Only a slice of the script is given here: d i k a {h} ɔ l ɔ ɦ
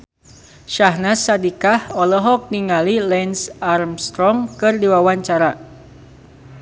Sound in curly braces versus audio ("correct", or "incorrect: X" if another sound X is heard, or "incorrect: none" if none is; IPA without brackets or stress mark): correct